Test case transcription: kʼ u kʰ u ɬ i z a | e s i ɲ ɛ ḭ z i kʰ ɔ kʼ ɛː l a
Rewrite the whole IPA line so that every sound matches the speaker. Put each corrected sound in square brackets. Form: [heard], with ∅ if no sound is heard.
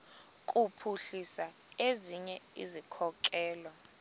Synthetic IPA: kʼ u [pʰ] u ɬ i [s] a | e [z] i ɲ ɛ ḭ z i kʰ ɔ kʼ ɛː l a

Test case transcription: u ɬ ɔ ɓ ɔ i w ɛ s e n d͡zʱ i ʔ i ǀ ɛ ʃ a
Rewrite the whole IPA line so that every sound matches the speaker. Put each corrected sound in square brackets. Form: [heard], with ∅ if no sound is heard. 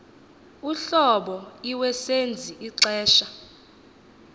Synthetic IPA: u ɬ ɔ ɓ ɔ i w ɛ s e n d͡zʱ i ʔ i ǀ [ɛː] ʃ a

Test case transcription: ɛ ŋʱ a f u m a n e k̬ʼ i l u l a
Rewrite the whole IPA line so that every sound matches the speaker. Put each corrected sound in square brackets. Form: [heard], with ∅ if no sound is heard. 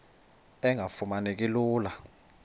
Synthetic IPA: ɛ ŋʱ a f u m a n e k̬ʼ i l [uː] l a

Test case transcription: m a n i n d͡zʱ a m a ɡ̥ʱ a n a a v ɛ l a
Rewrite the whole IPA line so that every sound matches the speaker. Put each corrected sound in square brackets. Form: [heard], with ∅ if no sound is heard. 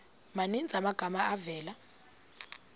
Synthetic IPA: m a n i n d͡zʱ a m a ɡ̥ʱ a [m] a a v [ɛː] l a

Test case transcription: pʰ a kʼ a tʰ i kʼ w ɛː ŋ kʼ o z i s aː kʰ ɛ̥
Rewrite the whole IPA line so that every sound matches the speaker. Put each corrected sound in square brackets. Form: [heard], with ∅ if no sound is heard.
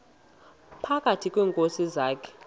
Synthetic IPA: pʰ a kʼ a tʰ i kʼ w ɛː ŋ kʼ o [s] i [z] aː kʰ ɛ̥

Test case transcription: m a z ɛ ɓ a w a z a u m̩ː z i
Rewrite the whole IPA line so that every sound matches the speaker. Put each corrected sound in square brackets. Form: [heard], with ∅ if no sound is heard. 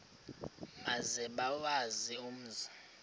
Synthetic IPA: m a z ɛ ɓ a w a z [i] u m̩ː z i

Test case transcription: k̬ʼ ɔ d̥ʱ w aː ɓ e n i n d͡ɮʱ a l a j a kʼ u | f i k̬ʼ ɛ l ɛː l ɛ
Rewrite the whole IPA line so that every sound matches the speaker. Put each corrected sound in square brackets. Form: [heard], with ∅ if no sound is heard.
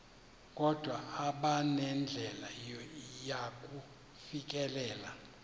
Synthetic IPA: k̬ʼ ɔ d̥ʱ w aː ɓ [a] n [ɛ] n d͡ɮʱ [ɛ] l a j a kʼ u | f i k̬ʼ ɛ l ɛː l [a]

